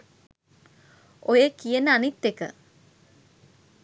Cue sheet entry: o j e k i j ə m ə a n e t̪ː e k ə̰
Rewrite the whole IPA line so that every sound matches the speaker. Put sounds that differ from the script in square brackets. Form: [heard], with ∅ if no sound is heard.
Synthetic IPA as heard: o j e k i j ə [n] ə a n [i] t̪ː e k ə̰